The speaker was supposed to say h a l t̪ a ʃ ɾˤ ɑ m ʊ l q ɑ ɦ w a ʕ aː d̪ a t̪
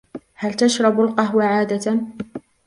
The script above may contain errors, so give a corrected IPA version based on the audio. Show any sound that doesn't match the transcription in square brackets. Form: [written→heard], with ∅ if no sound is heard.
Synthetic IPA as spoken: h a l t̪ a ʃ ɾˤ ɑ [m→b] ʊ l q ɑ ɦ w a ʕ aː d̪ a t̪

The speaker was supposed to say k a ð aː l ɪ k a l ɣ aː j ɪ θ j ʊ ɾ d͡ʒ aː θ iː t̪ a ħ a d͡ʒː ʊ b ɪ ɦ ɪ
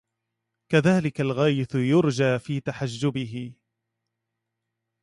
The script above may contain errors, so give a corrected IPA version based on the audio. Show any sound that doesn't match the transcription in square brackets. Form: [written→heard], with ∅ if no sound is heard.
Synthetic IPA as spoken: k a ð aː l ɪ k a l ɣ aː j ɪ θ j ʊ ɾ d͡ʒ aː [θ→f] iː t̪ a ħ a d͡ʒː ʊ b ɪ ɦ ɪ

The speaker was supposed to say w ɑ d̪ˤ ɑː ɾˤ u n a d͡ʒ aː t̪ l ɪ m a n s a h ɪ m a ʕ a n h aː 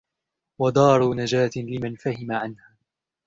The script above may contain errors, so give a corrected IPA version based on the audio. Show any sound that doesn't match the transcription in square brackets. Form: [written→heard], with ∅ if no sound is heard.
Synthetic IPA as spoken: w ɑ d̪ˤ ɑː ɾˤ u n a d͡ʒ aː t̪ l ɪ m a n [s→f] a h ɪ m a ʕ a n h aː

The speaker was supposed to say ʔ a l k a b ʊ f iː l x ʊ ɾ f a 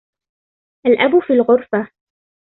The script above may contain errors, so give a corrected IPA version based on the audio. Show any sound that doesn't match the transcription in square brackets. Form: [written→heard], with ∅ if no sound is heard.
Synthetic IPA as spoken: ʔ a l [k→ʔ] a b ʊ f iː l [x→ɣ] ʊ ɾ f a

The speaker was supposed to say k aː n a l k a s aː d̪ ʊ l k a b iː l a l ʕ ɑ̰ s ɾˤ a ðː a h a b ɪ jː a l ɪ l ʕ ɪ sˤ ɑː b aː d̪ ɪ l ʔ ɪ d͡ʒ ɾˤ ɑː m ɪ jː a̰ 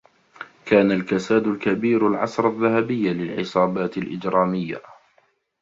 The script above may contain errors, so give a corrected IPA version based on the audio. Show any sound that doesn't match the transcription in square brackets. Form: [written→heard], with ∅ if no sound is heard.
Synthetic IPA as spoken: k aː n a l k a s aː d̪ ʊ l k a b iː [l→ɾ] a l ʕ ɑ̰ s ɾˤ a ðː a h a b ɪ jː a l ɪ l ʕ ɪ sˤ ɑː b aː [d̪→t̪] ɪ l ʔ ɪ d͡ʒ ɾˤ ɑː m ɪ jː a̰

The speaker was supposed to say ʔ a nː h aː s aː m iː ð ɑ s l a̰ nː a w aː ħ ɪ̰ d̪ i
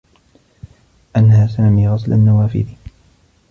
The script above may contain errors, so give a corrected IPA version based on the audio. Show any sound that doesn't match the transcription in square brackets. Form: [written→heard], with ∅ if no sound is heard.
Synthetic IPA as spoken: ʔ a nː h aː s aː m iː [ð→ɣ] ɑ s l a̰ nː a w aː [ħ→f] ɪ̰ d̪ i

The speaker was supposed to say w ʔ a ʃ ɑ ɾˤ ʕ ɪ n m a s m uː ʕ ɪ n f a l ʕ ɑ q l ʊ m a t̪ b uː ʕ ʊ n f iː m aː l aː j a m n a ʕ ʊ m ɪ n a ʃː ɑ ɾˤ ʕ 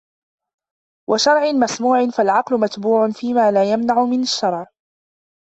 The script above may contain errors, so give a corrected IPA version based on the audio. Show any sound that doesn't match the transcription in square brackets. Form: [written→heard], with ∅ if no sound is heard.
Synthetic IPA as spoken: w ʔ a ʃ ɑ ɾˤ ʕ ɪ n m a s m uː ʕ ɪ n f a l ʕ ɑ q l ʊ m a t̪ b uː ʕ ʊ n f iː m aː l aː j a m n a ʕ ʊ m ɪ n a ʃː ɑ ɾˤ ʕ

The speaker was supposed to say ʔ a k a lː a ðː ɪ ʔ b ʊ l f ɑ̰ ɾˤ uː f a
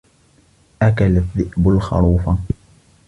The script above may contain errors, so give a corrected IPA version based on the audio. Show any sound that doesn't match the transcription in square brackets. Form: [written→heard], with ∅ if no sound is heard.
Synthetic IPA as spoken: ʔ a k a [lː→l] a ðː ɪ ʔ b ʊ l [f→x] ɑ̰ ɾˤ uː f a

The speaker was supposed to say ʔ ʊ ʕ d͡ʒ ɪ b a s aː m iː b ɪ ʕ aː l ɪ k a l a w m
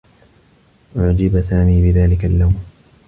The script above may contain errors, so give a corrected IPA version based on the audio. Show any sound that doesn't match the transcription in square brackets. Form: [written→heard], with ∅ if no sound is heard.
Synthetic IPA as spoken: ʔ ʊ ʕ d͡ʒ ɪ b a s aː m iː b ɪ [ʕ→ð] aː l ɪ k a [l→lː] a w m

